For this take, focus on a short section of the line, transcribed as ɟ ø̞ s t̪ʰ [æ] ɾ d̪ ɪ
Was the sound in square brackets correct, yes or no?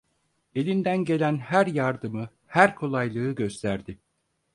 yes